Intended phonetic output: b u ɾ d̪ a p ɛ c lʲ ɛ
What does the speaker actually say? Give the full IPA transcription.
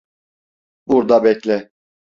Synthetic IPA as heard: b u ɾ d̪ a b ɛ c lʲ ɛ